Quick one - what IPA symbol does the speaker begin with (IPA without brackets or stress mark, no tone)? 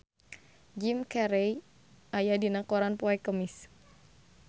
d͡ʒ